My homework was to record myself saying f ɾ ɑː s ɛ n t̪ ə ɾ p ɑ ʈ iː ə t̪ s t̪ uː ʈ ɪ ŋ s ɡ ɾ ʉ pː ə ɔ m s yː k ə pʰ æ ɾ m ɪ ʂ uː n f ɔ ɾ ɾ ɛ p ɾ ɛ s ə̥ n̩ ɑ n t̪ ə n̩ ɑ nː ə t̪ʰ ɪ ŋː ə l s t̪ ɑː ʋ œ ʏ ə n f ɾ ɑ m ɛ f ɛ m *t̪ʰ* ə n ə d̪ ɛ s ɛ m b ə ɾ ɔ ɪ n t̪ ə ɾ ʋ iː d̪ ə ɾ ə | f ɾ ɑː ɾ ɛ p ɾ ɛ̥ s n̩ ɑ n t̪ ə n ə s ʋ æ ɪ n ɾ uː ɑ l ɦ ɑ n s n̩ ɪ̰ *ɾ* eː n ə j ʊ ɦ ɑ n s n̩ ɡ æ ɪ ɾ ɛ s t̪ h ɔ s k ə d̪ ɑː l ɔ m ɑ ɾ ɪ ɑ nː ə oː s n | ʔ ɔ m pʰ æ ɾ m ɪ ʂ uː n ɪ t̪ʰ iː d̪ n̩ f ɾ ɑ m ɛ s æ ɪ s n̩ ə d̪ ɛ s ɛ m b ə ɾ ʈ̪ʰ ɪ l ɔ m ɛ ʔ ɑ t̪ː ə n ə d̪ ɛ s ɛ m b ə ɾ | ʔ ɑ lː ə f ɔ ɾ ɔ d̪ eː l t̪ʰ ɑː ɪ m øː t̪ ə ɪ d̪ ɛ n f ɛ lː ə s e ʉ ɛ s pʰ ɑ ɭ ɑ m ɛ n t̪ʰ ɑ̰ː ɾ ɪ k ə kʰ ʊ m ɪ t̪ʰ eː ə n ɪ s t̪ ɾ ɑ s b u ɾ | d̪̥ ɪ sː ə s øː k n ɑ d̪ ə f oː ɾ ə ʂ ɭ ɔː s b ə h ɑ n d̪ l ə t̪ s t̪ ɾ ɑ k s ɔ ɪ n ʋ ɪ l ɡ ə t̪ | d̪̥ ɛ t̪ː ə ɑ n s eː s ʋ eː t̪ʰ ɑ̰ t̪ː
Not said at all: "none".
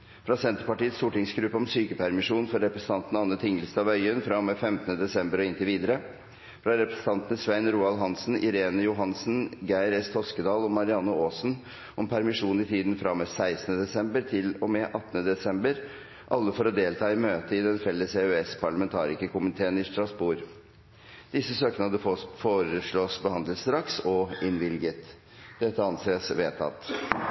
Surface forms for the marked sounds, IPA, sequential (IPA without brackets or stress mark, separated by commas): t̪, ɾ